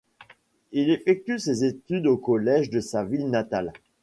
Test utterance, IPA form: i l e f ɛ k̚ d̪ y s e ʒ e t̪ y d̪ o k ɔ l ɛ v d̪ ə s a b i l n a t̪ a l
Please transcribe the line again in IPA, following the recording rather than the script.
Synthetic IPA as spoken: i l e f ɛ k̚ t̪ y s e z e t̪ y d̪ o k ɔ l ɛ ʒ d̪ ə s a v i l n a t̪ a l

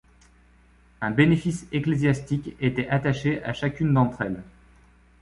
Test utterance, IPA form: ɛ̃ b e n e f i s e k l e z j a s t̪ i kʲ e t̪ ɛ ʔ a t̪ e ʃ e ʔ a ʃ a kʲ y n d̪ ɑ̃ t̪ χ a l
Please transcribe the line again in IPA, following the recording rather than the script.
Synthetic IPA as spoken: ɛ̃ b e n e f i s e k l e z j a s t̪ i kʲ e t̪ ɛ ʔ a t̪ a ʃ e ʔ a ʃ a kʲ y n d̪ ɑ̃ t̪ χ ɛ l

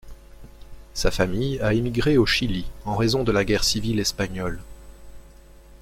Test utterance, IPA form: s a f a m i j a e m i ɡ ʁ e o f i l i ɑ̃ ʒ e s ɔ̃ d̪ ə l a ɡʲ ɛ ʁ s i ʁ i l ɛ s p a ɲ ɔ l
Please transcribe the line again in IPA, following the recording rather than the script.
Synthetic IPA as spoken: s a f a m i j a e m i ɡ ʁ e o ʃ i l i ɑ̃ ʁ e z ɔ̃ d̪ ə l a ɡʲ ɛ ʁ s i v i l ɛ s p a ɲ ɔ l

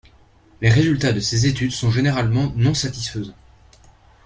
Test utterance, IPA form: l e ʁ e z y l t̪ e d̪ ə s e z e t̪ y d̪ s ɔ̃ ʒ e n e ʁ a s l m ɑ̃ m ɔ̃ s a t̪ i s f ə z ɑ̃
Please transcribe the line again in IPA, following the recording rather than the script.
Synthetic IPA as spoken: l e ʁ e z y l t̪ a d̪ ə s e z e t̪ y d̪ s ɔ̃ ʒ e n e ʁ a l m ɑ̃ n ɔ̃ s a t̪ i s f ə z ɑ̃

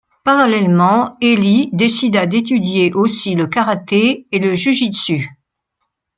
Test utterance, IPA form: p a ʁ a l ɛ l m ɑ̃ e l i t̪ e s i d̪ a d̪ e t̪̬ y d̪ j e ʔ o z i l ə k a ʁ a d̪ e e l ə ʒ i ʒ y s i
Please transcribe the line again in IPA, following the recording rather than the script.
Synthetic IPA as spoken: p a ʁ a l ɛ l m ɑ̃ e l i d̪ e s i d̪ a d̪ e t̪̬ y d̪ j e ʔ o s i l ə k a ʁ a t̪ e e l ə ʒ y ʒ i s y

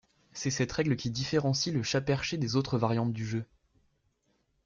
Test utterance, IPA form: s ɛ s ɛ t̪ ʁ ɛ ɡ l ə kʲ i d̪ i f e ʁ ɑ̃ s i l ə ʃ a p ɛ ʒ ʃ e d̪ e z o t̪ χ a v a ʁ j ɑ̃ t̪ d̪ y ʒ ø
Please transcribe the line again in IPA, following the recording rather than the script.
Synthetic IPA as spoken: s ɛ s ɛ t̪ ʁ ɛ ɡ l ə kʲ i d̪ i f e ʁ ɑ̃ s i l ə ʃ a p ɛ ʁ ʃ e d̪ e z o t̪ χ ə v a ʁ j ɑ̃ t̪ d̪ y ʒ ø

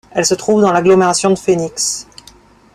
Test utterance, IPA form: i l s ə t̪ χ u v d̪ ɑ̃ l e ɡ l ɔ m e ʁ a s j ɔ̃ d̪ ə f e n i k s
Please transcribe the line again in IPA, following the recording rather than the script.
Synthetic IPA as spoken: ɛ l s ə t̪ χ u v d̪ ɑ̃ l a ɡ l ɔ m e ʁ a s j ɔ̃ d̪ ə f e n i k s

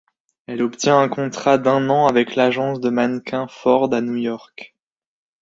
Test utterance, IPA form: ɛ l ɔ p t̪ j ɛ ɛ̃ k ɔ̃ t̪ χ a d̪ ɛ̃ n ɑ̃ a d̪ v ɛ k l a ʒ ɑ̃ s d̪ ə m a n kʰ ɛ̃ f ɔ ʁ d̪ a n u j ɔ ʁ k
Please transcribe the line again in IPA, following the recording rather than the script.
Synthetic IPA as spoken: ɛ l ɔ p t̪ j ɛ̃ ɛ̃ k ɔ̃ t̪ χ a d̪ ɛ̃ n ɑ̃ a v ɛ k l a ʒ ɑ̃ s d̪ ə m a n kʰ ɛ̃ f ɔ ʁ d̪ a n u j ɔ ʁ k

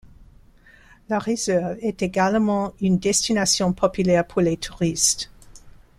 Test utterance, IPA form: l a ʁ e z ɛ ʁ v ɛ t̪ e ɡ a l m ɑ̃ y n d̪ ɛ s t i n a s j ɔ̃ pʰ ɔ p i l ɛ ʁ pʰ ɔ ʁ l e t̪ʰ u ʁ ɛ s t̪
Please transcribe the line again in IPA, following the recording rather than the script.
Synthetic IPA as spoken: l a ʁ e z ɛ ʁ v ɛ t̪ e ɡ a l m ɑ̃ y n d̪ ɛ s t i n a s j ɔ̃ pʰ ɔ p y l ɛ ʁ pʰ u ʁ l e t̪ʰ u ʁ i s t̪

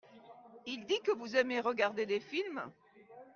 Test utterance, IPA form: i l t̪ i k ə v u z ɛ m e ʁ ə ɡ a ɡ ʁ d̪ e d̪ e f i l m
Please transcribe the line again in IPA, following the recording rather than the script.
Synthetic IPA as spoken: i l d̪ i k ə v u z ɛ m e ʁ ə ɡ a ʁ d̪ e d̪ e f i l m

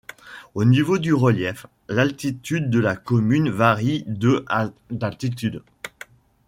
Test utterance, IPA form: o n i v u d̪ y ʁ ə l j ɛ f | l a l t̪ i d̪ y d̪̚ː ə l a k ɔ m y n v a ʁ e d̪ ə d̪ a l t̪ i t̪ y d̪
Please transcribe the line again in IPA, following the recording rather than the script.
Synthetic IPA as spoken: o n i v o d̪ y ʁ ə l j ɛ f | l a l t̪ i t̪ y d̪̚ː ə l a k ɔ m y n v a ʁ i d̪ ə d̪ a l t̪ i t̪ y d̪

